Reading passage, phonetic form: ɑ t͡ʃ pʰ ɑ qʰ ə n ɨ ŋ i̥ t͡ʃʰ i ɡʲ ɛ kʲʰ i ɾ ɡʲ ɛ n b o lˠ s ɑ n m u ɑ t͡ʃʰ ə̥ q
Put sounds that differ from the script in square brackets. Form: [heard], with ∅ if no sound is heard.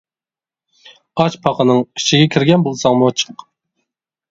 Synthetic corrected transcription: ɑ t͡ʃ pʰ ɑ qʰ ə n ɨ ŋ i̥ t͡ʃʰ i ɡʲ ɛ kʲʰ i ɾ ɡʲ ɛ n b o lˠ s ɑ [ŋ] m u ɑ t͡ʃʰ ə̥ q